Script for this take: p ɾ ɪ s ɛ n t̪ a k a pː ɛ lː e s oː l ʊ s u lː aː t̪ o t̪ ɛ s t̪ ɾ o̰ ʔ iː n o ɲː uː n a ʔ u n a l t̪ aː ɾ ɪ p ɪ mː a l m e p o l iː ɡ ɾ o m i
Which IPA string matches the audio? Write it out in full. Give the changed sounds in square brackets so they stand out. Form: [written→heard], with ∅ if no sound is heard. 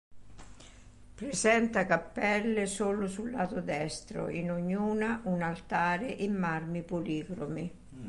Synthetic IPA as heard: p ɾ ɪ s ɛ n t̪ a k a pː ɛ lː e s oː l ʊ s u lː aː t̪ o [t̪→d̪] ɛ s t̪ ɾ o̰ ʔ [iː→i] n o ɲː uː n a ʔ u n a l t̪ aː ɾ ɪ [p→ʔ] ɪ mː a [l→r] m [e→i] p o l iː ɡ ɾ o m i

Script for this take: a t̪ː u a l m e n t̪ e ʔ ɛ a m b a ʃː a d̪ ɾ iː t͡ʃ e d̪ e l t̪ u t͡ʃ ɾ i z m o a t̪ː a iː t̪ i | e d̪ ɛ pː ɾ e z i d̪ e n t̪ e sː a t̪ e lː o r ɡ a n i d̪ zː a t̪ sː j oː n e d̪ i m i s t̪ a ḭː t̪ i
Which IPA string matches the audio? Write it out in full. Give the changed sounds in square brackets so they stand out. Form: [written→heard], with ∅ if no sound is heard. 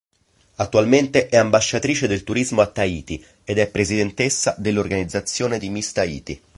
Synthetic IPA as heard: a t̪ː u a l m e n t̪ e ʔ ɛ a m b a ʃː a [d̪→t̪] ɾ iː t͡ʃ e d̪ e l t̪ u [t͡ʃ→∅] ɾ i z m o a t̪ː a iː t̪ i | e d̪ ɛ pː ɾ e z i d̪ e n t̪ e sː a [t̪→d̪] e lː o r ɡ a n i d̪ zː a t̪ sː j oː n e d̪ i m i s t̪ a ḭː t̪ i

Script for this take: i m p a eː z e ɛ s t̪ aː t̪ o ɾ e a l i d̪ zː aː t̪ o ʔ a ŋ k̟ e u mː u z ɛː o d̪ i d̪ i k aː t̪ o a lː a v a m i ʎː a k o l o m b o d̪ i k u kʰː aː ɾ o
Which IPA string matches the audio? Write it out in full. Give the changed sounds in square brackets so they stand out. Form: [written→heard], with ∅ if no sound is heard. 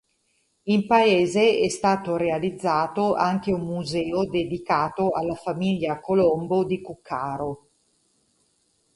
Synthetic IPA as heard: i m p a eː z e ɛ s t̪ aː t̪ o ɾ e a l i d̪ zː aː t̪ o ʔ a ŋ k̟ e u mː u z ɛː o d̪ [i→e] d̪ i k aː t̪ o a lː a [v→f] a m i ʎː a k o l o m b o d̪ i k u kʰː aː ɾ o

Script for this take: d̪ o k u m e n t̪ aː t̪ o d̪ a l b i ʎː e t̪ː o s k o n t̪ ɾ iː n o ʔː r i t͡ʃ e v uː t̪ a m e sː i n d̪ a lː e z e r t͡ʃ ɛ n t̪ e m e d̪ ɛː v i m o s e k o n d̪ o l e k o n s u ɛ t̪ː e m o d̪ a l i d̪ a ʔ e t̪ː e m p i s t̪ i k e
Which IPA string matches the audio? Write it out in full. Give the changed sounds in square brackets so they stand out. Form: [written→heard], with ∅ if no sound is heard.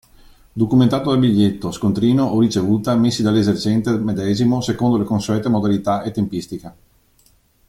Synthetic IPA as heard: d̪ o k u m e n t̪ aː t̪ o d̪ a l b i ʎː e t̪ː o s k o n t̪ ɾ iː n o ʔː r i t͡ʃ e v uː t̪ a m e sː i [n→∅] d̪ a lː e z e r t͡ʃ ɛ n t̪ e m e d̪ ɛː [v→z] i m o s e k o n d̪ o l e k o n s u ɛ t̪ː e m o d̪ a l i [d̪→t̪] a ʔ e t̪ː e m p i s t̪ i k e

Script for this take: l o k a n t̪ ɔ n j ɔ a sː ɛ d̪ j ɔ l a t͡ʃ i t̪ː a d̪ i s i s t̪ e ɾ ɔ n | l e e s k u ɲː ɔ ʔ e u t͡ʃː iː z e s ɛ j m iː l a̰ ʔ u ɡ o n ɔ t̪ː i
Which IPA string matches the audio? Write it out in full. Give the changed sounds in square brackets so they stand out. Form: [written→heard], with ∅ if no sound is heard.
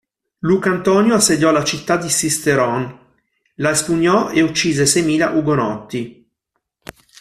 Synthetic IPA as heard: l [o→u] k a n t̪ ɔ n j [ɔ→o] a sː [ɛ→e] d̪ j ɔ l a t͡ʃ i t̪ː a d̪ i s i s t̪ e ɾ ɔ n | l [e→a] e s [k→p] u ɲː ɔ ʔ e u t͡ʃː iː z e s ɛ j m iː l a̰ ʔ u ɡ o n ɔ t̪ː i

